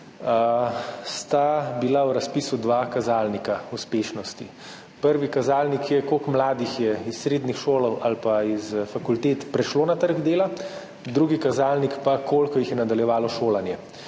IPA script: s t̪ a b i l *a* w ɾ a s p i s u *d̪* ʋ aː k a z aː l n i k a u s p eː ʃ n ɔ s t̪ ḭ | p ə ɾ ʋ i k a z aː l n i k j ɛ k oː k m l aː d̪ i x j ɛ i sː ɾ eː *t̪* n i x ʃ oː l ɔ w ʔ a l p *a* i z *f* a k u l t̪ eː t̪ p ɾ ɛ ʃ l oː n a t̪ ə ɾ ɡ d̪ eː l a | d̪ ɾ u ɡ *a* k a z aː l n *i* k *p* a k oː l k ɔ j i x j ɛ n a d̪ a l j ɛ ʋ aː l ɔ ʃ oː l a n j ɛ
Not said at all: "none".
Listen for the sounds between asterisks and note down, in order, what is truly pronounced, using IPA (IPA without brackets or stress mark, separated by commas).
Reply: a, d̪, d̪, a, f, i, i, p